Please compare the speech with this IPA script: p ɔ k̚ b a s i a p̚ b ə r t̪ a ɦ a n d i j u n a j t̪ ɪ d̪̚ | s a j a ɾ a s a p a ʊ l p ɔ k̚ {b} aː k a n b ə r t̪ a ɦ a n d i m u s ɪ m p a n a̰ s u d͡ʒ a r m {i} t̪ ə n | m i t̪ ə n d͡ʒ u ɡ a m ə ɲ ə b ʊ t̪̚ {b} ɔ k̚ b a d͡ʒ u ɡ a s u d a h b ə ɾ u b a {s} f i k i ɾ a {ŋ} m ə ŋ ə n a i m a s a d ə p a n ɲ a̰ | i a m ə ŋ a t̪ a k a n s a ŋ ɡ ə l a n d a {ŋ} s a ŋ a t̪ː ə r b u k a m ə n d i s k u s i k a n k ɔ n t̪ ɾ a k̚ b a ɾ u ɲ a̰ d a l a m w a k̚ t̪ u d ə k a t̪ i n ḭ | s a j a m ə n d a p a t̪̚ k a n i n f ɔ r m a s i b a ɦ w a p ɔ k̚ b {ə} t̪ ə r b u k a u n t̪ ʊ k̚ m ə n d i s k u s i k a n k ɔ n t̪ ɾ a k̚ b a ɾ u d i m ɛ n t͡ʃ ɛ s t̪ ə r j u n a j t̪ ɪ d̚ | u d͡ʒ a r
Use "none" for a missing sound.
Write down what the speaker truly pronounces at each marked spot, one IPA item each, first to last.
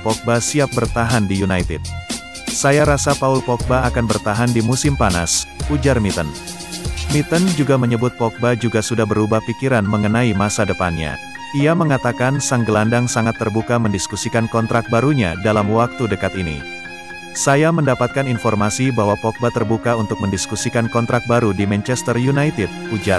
b, i, p, h, n, ŋ, a

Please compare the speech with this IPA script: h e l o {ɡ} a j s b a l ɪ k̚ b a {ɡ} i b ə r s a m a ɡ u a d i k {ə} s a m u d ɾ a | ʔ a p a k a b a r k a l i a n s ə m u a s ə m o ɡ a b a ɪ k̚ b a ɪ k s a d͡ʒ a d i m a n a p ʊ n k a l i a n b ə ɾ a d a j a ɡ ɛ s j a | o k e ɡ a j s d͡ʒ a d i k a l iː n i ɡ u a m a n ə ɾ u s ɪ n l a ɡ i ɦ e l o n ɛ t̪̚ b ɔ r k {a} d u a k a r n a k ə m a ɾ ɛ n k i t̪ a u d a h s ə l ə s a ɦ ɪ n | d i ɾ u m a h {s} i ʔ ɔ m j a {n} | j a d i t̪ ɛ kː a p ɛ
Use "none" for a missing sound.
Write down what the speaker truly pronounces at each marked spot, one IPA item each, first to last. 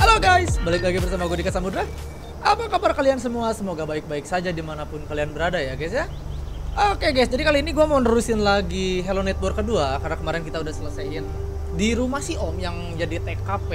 ɡ, ɡ, a, ə, s, ŋ

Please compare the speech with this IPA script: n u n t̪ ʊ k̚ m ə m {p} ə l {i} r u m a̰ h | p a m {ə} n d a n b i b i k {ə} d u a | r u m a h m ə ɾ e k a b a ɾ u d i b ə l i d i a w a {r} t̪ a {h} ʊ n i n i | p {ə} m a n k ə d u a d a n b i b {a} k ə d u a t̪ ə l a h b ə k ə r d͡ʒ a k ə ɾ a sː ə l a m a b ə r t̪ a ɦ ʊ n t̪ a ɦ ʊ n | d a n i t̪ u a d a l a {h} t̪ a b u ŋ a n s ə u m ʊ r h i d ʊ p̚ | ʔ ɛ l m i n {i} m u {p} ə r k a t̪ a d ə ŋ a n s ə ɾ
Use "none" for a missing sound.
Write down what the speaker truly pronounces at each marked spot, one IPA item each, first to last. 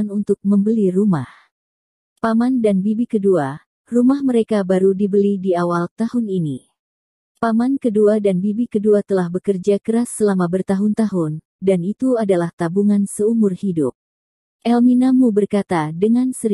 b, i, a, ə, l, h, a, i, h, a, b

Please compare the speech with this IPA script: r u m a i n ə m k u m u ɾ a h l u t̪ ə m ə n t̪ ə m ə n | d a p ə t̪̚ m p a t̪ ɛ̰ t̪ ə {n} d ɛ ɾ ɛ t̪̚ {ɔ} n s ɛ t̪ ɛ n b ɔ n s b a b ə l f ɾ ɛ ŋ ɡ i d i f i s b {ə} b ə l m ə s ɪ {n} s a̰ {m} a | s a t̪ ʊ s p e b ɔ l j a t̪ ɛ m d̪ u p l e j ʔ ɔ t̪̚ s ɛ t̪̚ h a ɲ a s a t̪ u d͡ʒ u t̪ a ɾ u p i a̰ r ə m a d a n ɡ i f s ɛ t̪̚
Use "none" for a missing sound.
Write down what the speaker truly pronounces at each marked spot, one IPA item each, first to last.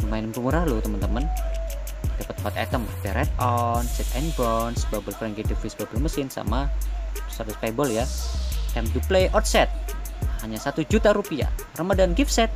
m, ɔ, a, n, m

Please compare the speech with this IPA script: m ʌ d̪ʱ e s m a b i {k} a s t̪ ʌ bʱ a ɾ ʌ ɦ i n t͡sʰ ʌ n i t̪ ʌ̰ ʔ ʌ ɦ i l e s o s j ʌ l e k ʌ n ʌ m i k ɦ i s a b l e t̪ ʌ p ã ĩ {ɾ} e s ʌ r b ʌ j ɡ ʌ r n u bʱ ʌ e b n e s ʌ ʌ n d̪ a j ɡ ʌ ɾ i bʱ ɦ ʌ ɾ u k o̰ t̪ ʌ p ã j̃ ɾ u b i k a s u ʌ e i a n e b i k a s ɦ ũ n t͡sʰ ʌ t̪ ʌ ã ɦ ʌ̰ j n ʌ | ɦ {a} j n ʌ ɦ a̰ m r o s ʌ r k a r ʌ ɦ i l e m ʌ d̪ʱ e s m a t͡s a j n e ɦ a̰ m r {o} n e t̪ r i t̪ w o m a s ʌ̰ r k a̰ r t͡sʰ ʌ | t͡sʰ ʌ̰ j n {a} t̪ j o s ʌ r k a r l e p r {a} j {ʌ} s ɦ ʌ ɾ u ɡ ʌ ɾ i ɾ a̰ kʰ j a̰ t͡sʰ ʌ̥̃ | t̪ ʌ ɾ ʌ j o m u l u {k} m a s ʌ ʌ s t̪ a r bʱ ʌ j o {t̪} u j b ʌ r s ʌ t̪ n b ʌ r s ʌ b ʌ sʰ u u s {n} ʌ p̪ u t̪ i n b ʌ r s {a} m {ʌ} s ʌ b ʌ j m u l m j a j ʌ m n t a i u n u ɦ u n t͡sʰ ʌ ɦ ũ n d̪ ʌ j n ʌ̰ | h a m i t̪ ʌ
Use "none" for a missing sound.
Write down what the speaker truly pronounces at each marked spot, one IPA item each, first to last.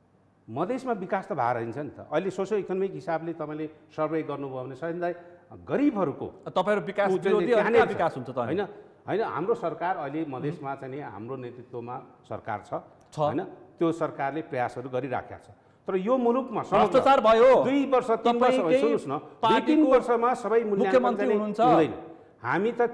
k, l, ʌ, o, ʌ, ʌ, a, k, d̪, n, ʌ, a

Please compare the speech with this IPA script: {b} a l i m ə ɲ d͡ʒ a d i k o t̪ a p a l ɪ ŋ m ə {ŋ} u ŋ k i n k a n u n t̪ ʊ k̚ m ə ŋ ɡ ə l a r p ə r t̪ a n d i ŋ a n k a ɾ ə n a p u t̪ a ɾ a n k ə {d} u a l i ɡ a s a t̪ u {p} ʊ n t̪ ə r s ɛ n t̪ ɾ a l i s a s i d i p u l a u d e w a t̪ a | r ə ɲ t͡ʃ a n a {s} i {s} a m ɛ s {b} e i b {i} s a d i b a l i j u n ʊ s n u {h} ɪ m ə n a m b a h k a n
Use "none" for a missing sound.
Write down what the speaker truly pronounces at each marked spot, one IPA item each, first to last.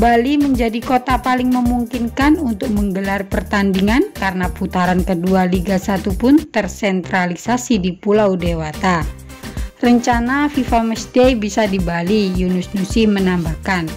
b, m, d, p, f, f, d, i, s

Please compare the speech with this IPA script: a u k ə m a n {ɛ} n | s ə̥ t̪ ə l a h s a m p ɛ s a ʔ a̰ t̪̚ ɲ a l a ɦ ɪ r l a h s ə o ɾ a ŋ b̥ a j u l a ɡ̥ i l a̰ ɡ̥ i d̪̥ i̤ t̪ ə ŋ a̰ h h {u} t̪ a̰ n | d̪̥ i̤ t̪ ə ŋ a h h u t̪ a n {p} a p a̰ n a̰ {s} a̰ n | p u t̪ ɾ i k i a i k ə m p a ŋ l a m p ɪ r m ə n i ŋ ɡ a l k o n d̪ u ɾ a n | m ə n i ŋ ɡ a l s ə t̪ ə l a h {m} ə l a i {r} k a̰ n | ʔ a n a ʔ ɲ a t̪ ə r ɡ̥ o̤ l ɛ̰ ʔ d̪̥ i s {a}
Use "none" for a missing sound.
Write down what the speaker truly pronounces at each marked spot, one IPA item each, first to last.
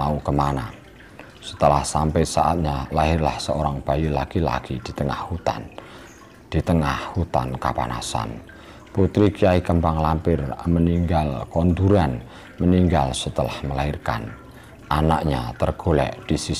a, u, k, s, m, r, i

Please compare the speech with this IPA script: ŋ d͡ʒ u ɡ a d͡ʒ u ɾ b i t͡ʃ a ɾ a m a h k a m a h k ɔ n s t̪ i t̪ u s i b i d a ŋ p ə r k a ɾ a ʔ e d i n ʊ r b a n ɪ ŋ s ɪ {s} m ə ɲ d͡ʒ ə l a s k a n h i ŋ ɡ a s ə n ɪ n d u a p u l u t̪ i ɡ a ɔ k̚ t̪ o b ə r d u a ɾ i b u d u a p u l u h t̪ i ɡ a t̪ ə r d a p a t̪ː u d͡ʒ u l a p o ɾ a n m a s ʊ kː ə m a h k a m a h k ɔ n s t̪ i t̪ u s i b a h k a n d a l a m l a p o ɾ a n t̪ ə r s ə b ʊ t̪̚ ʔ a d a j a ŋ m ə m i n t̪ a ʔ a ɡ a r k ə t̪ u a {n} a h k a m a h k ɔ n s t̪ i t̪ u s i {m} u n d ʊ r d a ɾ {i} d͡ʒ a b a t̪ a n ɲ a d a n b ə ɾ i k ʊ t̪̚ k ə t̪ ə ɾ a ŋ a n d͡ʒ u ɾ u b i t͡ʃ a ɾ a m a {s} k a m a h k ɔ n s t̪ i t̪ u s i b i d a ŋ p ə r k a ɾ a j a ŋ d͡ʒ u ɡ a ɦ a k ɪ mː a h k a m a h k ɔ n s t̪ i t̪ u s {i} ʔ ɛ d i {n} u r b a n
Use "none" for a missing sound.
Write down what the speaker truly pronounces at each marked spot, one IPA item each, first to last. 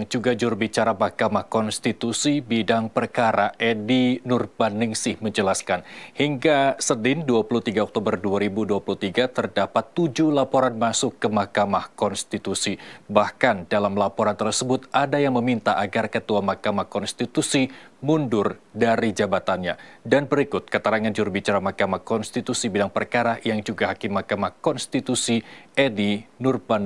h, m, m, i, h, i, n

